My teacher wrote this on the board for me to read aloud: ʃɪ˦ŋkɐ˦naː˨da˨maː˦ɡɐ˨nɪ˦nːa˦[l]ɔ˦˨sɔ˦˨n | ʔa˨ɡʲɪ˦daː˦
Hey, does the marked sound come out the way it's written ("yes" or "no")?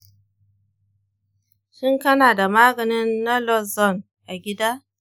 yes